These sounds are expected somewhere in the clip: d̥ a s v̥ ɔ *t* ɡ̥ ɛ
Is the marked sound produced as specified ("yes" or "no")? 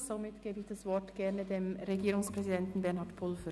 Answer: yes